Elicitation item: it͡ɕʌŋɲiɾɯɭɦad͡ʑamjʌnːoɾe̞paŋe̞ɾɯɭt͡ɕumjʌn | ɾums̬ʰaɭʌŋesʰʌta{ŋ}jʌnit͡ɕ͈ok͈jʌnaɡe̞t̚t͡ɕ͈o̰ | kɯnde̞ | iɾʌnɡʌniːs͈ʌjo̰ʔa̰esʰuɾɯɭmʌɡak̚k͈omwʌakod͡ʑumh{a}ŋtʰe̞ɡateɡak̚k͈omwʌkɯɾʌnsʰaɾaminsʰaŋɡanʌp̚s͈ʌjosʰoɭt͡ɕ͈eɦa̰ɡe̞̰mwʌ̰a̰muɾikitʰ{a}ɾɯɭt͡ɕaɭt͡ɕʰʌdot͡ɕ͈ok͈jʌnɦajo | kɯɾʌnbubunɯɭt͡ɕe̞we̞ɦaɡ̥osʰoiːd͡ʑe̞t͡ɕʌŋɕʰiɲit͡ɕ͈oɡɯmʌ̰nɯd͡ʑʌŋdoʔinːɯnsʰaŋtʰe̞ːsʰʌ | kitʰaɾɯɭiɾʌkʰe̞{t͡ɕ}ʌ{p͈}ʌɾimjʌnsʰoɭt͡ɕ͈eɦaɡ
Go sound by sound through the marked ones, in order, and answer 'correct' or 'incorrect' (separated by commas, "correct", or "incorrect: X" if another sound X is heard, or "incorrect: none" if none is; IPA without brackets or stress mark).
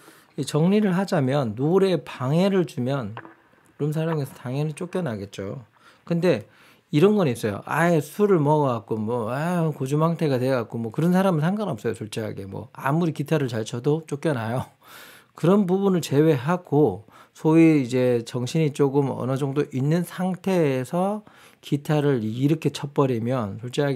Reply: correct, correct, correct, incorrect: t͡ɕʰ, correct